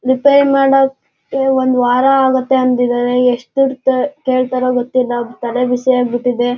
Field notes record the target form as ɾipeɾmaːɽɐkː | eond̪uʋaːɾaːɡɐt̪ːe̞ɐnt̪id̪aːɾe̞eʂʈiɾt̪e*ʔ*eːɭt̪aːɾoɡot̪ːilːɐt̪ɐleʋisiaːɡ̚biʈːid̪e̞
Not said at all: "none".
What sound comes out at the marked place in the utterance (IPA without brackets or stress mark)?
k